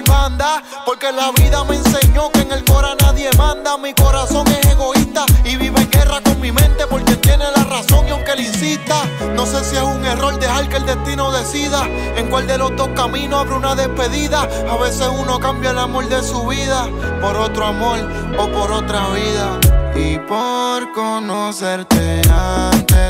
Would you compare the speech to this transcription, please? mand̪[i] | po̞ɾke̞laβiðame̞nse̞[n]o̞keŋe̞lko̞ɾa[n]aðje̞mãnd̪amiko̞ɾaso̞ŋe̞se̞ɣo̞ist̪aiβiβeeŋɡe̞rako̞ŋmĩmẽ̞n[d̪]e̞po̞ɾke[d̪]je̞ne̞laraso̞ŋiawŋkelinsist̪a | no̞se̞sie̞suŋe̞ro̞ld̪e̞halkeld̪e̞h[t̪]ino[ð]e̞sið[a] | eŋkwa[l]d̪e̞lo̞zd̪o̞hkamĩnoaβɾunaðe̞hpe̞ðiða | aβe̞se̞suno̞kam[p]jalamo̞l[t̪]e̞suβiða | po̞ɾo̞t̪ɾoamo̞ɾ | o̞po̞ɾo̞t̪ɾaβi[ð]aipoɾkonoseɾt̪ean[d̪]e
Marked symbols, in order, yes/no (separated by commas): no, no, yes, no, no, yes, yes, yes, yes, no, no, yes, no